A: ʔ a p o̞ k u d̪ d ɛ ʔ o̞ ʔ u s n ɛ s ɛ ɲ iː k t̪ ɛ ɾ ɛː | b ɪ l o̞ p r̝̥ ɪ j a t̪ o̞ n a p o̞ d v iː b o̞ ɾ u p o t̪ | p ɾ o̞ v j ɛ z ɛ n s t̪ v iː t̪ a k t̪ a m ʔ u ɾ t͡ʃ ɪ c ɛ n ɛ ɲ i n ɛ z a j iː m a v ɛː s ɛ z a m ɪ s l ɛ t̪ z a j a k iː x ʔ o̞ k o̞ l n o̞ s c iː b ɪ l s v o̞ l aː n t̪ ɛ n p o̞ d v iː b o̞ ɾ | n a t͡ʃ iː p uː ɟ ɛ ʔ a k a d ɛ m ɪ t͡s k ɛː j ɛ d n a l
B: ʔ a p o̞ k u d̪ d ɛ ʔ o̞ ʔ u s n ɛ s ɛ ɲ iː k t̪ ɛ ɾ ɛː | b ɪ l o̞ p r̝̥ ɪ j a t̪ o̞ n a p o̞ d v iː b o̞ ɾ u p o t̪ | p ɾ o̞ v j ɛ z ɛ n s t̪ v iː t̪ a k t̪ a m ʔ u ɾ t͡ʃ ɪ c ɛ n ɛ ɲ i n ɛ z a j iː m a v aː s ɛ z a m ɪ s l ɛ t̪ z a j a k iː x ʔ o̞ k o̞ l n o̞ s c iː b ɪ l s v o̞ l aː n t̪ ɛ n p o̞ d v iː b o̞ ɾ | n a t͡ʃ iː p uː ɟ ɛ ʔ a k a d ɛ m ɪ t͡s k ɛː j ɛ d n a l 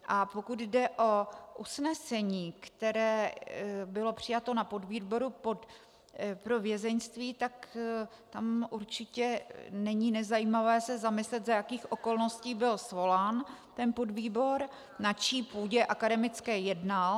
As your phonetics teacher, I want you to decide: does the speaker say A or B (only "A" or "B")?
A